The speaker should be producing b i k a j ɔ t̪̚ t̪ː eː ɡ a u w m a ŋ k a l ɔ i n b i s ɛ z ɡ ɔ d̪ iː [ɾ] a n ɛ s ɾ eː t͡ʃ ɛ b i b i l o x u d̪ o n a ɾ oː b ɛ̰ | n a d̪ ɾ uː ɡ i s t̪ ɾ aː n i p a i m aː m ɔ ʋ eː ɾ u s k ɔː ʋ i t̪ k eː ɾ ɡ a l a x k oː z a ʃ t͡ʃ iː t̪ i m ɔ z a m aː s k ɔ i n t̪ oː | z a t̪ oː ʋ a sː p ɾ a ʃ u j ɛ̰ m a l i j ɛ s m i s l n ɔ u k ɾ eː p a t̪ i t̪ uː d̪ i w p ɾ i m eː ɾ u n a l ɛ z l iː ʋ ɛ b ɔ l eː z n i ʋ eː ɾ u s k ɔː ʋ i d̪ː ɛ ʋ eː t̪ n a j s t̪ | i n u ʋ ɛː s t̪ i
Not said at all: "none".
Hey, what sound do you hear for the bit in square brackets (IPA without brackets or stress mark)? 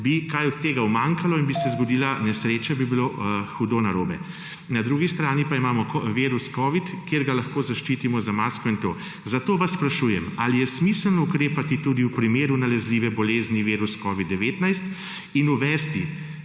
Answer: l